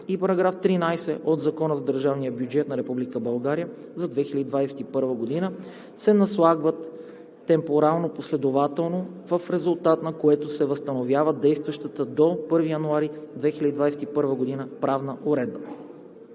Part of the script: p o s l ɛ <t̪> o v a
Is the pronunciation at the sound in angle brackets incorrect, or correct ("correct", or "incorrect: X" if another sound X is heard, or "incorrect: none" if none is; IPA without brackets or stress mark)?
incorrect: d̪